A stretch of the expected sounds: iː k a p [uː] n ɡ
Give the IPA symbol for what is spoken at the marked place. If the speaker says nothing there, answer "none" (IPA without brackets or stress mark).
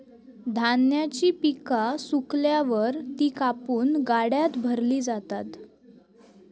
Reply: uː